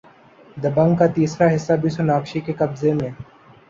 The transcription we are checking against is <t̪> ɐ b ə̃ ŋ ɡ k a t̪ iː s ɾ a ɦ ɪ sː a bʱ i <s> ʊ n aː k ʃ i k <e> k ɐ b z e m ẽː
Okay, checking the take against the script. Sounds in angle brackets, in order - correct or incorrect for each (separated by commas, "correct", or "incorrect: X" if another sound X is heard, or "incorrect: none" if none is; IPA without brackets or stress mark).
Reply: incorrect: d̪, correct, correct